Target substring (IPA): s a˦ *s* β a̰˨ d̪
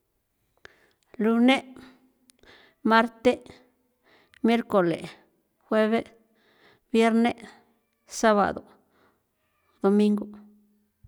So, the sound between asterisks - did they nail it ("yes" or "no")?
no